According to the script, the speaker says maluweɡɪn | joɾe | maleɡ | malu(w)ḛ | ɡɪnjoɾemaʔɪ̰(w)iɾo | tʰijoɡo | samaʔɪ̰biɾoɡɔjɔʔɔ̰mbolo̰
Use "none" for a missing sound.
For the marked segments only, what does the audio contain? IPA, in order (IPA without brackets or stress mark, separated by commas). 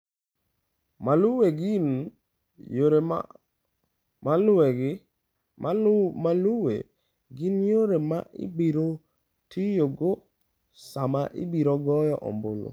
w, b